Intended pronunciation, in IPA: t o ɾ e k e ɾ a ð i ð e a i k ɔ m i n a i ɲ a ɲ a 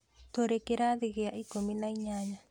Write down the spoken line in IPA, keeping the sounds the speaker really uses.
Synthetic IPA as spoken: t o ɾ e k e ɾ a ð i ɣ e a i k o m i n a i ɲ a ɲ a